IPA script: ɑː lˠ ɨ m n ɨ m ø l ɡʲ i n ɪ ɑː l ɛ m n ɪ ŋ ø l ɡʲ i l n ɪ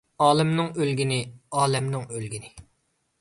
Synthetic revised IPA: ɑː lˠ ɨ m n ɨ ŋ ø l ɡʲ i n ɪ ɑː l ɛ m n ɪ ŋ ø l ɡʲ i n ɪ